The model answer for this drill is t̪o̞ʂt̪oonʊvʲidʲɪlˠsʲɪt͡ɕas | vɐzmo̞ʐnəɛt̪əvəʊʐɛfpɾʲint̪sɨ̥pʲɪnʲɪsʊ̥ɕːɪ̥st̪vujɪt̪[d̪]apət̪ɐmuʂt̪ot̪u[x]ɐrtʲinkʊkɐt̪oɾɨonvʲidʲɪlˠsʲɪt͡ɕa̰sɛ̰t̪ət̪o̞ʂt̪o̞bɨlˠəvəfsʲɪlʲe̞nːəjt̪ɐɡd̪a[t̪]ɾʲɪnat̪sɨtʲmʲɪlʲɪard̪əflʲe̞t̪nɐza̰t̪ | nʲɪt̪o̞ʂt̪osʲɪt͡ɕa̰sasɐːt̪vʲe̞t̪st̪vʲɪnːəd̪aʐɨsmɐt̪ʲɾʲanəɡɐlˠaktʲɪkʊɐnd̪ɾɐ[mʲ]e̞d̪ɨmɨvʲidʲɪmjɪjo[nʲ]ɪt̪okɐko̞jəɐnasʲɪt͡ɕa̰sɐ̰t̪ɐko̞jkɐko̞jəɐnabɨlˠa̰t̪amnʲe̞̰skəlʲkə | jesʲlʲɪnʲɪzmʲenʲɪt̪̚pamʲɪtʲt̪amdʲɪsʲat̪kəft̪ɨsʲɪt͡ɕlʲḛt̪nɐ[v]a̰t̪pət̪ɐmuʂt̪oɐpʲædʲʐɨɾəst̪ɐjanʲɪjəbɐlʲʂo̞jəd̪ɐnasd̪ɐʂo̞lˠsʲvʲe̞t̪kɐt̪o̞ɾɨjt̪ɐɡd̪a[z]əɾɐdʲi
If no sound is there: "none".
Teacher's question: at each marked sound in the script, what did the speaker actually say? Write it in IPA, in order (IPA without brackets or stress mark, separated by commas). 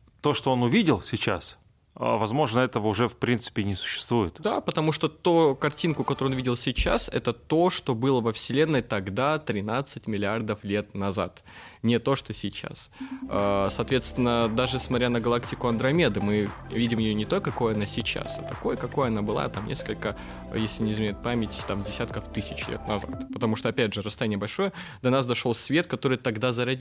d̪, k, t̪, mʲ, nʲ, z, z